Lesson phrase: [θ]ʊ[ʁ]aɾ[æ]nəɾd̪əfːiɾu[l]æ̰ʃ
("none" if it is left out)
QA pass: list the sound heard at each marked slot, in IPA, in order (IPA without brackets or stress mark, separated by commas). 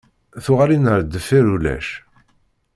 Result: θ, ʁ, i, l